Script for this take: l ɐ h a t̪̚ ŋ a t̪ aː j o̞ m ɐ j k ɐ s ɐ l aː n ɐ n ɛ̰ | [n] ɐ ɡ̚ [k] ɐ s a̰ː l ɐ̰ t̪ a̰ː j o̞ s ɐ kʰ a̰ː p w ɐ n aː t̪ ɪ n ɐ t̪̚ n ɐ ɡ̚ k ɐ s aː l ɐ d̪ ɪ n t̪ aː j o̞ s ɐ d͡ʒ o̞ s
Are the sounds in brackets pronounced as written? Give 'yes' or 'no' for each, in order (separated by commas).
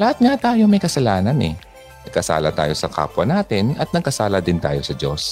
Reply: yes, yes